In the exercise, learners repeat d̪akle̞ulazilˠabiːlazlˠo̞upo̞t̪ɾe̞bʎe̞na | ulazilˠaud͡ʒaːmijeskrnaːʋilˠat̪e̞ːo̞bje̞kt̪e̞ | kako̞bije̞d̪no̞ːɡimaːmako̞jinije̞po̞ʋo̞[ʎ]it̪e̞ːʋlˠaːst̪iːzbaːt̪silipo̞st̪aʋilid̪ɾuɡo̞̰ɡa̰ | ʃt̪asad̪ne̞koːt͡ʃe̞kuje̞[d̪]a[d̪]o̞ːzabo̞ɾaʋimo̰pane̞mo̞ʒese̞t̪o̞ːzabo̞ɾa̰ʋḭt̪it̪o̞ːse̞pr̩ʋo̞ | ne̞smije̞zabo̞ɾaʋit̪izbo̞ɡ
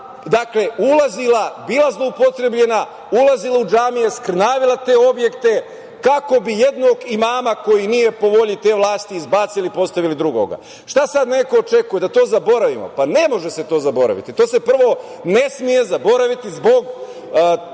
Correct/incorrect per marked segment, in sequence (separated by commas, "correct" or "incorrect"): correct, correct, incorrect